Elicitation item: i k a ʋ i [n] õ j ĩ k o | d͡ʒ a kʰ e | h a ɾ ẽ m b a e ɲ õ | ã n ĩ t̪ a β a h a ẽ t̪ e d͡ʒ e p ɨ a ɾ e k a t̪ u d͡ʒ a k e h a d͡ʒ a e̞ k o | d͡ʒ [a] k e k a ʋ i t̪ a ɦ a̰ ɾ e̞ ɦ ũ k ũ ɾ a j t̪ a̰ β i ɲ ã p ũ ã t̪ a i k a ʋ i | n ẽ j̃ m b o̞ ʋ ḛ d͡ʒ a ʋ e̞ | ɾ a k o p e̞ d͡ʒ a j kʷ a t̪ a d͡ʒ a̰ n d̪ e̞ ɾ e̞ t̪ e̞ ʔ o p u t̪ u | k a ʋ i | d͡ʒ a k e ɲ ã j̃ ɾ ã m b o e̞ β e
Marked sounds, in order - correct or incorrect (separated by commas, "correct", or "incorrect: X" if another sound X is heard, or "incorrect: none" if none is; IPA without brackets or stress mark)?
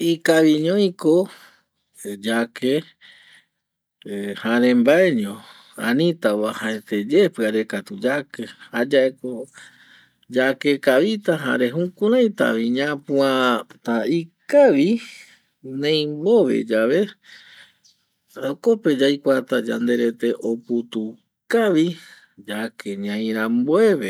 incorrect: ɲ, correct